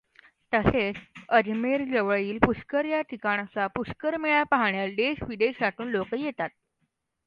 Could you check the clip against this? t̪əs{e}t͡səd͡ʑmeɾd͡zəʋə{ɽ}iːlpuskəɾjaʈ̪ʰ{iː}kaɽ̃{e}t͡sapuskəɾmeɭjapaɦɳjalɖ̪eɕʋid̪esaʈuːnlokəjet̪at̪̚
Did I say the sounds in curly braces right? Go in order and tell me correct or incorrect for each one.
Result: correct, incorrect: ɭ, incorrect: i, incorrect: a

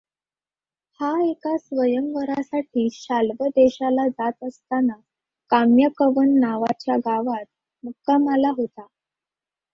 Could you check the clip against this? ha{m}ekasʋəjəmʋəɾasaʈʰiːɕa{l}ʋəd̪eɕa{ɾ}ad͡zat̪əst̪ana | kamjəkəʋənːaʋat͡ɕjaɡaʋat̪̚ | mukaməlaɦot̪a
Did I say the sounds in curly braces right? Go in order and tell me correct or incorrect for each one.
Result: incorrect: none, correct, incorrect: l

